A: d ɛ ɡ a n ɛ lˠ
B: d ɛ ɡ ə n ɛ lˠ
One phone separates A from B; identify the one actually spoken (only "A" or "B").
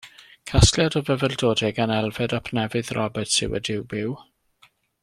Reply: A